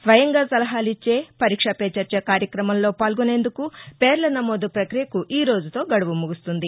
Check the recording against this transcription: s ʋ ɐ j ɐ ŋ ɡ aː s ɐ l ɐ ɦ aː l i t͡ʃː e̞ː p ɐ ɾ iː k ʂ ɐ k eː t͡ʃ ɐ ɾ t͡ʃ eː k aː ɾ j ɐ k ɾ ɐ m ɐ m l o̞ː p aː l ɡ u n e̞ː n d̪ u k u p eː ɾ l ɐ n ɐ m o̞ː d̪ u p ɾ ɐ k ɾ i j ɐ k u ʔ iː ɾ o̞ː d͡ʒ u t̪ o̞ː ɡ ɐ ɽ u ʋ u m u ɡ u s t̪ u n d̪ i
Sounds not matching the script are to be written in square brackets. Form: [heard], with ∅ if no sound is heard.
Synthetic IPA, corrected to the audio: s ʋ ɐ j ɐ ŋ ɡ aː s ɐ l ɐ ɦ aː l i t͡ʃː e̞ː p ɐ ɾ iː k ʂ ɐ [p] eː t͡ʃ ɐ ɾ t͡ʃ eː k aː ɾ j ɐ k ɾ ɐ m ɐ m l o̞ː p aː l ɡ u n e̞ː n d̪ u k u p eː ɾ l ɐ n ɐ m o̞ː d̪ u p ɾ ɐ k ɾ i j ɐ k u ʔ iː ɾ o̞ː d͡ʒ u t̪ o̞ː ɡ ɐ ɽ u ʋ u m u ɡ u s t̪ u n d̪ i